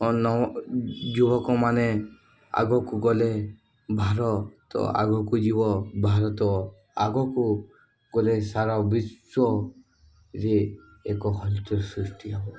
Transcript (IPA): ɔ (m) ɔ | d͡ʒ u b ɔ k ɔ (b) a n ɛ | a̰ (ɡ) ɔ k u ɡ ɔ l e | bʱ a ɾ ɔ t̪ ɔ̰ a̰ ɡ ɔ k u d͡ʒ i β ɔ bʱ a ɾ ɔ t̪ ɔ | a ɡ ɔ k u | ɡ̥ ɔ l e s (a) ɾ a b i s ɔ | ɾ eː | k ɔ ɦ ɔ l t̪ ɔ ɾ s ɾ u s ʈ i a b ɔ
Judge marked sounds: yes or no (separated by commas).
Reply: no, no, yes, yes